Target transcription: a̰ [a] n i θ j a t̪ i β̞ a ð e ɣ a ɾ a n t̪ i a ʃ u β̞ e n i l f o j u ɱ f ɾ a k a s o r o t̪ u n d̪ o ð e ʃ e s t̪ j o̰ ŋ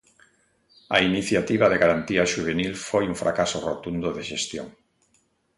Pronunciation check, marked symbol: incorrect: i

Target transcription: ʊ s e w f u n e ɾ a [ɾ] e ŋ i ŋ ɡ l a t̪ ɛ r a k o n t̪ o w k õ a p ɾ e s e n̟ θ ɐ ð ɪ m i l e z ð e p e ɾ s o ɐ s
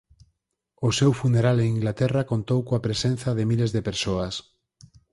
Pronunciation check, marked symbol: incorrect: l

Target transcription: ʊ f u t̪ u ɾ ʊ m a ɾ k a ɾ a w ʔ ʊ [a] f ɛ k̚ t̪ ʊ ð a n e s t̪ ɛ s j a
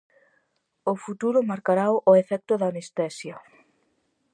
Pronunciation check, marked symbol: incorrect: e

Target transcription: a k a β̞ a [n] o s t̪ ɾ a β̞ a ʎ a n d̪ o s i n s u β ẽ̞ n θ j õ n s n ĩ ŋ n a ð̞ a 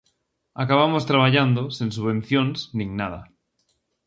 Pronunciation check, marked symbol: incorrect: m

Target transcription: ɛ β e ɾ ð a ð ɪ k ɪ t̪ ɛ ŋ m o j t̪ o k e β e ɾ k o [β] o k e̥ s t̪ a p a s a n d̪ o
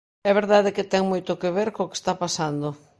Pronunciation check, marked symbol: incorrect: none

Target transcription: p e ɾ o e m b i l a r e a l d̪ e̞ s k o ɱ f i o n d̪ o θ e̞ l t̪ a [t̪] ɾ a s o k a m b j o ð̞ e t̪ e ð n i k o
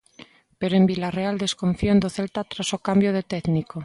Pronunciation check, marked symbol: correct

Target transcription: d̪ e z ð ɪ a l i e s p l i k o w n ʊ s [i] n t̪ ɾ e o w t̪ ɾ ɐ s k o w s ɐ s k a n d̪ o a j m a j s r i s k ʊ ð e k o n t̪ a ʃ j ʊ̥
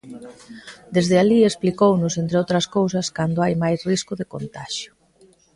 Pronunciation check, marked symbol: incorrect: e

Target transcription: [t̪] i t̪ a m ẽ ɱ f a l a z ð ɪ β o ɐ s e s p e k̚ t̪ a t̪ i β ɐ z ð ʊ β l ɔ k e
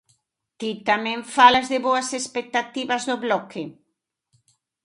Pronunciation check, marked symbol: correct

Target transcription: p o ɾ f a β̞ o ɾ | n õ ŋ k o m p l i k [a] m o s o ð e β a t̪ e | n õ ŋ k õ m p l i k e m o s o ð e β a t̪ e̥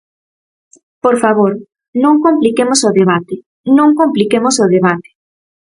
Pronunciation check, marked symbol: incorrect: e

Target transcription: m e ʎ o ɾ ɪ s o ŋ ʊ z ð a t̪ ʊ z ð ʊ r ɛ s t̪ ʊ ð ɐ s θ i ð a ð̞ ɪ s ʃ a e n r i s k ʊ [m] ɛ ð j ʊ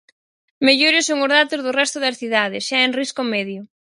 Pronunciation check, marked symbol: correct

